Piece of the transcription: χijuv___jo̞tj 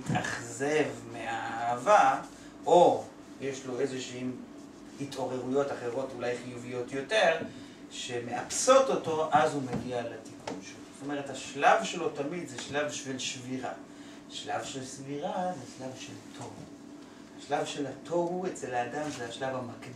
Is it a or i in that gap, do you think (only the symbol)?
i